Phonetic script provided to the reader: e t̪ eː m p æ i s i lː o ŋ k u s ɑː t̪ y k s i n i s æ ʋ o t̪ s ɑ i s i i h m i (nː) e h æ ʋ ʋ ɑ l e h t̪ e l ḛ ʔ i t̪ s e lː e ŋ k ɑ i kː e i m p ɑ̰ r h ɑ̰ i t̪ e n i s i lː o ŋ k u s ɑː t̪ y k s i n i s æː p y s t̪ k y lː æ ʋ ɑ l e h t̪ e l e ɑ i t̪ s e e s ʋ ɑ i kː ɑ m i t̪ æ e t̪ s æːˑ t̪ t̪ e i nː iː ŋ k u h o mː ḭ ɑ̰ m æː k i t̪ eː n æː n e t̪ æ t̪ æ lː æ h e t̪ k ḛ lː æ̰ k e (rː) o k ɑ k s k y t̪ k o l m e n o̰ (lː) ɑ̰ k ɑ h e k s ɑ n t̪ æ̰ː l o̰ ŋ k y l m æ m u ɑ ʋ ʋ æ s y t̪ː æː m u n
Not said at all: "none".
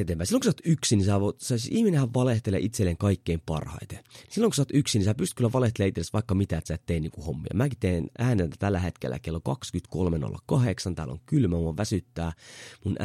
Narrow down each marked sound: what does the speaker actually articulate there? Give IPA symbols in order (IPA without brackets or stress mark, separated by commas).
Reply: n, lː, lː